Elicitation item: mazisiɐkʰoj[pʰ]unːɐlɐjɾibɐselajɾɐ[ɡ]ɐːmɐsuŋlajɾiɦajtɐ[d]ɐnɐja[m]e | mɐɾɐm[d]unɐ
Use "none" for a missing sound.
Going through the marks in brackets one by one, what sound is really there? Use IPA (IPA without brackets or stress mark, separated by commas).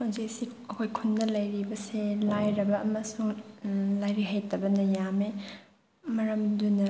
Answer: kʰ, b, b, m, d